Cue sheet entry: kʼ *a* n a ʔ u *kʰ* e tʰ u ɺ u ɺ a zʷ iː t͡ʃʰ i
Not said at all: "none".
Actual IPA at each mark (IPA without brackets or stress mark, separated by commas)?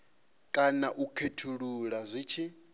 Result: a, kʰ